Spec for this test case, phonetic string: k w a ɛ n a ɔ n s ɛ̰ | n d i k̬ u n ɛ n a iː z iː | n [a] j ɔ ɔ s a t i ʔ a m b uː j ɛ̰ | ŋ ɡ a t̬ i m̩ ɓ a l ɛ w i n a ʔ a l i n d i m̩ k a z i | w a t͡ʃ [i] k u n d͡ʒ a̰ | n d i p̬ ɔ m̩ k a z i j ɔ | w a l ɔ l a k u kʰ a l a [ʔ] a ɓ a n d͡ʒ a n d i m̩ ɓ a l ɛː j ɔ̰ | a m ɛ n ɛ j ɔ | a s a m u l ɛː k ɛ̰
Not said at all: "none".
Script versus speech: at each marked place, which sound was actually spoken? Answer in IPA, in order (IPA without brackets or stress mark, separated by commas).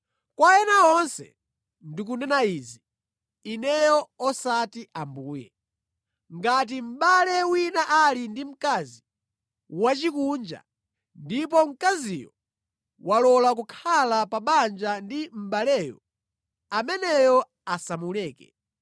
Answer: ɛ, i, p